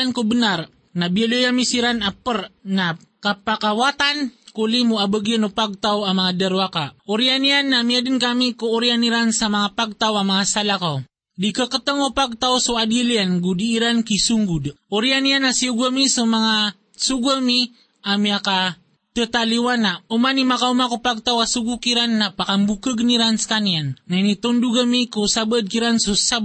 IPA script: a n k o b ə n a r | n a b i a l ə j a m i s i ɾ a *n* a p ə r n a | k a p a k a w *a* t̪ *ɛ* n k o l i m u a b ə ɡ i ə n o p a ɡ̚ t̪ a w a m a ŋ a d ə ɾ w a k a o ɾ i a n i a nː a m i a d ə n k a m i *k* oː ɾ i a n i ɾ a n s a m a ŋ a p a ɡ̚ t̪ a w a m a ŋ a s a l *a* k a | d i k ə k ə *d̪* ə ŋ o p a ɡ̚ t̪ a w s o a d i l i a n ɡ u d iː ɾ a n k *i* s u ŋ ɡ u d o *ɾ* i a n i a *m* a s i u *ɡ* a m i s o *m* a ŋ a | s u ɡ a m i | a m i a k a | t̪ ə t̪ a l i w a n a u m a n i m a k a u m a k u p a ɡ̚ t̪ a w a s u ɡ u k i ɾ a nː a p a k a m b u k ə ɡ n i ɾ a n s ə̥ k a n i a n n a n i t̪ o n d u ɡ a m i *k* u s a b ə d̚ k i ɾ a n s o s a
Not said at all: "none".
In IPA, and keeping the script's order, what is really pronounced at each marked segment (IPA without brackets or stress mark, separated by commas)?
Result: n, a, a, k, a, t̪, i, ɾ, n, ɡ, m, k